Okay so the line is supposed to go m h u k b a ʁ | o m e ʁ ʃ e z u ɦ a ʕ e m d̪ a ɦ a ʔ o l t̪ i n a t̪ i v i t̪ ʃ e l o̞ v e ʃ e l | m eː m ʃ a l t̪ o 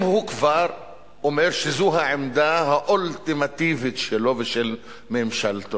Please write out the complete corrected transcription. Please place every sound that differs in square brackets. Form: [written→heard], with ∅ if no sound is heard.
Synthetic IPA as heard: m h u k [b→v] a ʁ | o m e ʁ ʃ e z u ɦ a ʕ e m d̪ a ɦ a ʔ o l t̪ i [n→m] a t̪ i v i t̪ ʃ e l o̞ v e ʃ e l | m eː m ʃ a l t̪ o